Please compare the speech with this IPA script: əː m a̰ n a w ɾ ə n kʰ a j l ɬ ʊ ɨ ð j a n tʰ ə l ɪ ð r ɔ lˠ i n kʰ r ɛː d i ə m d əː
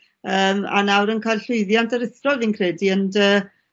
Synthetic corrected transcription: əː m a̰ n a w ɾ ə n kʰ a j l ɬ ʊ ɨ ð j a n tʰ ə ɾ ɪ θ r ɔ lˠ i n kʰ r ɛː d i ə n d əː